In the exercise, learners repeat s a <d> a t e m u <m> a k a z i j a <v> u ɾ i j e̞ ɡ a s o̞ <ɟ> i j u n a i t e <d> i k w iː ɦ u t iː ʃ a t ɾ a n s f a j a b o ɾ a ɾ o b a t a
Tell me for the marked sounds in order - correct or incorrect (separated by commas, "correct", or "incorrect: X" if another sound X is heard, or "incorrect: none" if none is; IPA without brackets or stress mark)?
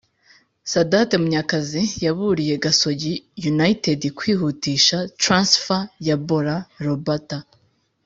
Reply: correct, incorrect: ɲ, incorrect: β, correct, correct